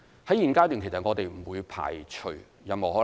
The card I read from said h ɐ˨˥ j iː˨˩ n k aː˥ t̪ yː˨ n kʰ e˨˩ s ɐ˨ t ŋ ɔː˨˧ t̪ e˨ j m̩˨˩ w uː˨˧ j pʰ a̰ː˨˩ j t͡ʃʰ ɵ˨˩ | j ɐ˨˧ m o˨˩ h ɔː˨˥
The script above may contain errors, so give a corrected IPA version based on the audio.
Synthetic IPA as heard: h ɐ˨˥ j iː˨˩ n k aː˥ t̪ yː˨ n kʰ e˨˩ s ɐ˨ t ŋ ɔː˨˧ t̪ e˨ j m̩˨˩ w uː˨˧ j pʰ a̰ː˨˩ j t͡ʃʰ ɵ˨˩ | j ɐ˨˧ m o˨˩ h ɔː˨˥

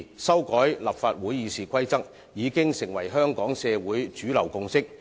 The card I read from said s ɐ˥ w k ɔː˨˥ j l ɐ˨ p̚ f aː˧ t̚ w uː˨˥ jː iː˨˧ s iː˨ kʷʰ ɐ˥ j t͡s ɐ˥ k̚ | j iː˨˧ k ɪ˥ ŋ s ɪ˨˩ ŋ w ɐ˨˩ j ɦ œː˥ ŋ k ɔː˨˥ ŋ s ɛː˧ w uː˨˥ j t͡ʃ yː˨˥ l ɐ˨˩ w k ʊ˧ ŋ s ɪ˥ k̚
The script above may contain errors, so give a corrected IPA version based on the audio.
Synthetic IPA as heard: s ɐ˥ w k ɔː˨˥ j l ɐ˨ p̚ f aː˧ t̚ w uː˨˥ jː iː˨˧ s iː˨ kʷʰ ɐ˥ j t͡s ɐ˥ k̚ | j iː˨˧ k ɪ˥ ŋ s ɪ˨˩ ŋ w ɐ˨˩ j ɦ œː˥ ŋ k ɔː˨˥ ŋ s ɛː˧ w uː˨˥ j t͡ʃ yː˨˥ l ɐ˨˩ w k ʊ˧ ŋ s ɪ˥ k̚

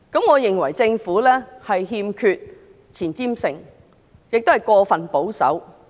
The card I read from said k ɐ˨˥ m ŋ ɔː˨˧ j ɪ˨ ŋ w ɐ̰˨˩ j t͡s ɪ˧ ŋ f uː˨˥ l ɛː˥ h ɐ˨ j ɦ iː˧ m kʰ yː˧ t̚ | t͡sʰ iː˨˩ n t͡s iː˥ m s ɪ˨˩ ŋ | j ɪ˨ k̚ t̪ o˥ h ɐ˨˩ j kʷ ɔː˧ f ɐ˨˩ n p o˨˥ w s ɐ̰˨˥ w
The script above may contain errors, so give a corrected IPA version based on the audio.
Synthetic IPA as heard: k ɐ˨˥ m ŋ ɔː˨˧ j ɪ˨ ŋ w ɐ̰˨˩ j t͡s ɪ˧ ŋ f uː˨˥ l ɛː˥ h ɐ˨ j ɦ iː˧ m kʰ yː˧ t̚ | t͡sʰ iː˨˩ n t͡s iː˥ m s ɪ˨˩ ŋ | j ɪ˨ k̚ t̪ o˥ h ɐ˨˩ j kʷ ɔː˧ f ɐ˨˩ n p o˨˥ w s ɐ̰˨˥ w

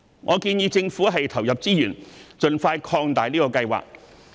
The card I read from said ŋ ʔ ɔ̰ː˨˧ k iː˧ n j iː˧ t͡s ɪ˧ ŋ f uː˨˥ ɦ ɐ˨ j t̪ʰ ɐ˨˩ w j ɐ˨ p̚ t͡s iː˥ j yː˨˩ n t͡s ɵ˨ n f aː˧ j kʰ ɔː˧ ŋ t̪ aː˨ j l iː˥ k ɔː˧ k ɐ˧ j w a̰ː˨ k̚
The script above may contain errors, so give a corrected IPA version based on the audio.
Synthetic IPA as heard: ŋ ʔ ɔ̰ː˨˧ k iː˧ n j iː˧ t͡s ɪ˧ ŋ f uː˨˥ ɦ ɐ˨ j t̪ʰ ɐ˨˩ w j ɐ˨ p̚ t͡s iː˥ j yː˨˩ n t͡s ɵ˨ n f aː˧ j kʰ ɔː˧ ŋ t̪ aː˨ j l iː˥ k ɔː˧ k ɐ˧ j w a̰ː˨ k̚

